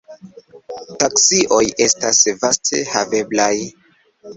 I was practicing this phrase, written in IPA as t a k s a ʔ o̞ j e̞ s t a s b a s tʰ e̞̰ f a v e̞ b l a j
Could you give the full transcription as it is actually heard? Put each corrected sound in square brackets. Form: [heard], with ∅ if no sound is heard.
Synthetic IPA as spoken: t a k s [i] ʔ o̞ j e̞ s t a s [v] a s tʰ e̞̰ [h] a v e̞ b l a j